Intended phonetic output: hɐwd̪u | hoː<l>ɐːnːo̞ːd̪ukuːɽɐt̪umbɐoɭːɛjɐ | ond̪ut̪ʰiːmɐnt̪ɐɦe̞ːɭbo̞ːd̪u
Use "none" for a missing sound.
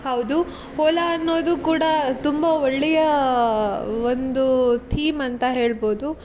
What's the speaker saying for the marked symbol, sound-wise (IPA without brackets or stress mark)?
l